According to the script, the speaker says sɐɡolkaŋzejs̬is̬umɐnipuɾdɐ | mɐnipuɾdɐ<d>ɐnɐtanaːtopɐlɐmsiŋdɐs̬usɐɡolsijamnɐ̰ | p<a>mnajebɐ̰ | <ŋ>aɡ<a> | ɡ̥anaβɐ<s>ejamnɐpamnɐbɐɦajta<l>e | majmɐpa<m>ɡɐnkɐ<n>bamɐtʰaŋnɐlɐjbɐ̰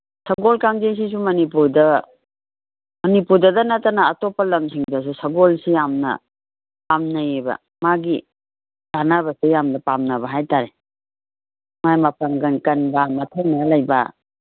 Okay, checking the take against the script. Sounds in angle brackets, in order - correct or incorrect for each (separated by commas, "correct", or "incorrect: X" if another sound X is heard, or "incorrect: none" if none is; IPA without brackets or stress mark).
correct, correct, incorrect: m, incorrect: i, correct, incorrect: ɾ, incorrect: ŋ, correct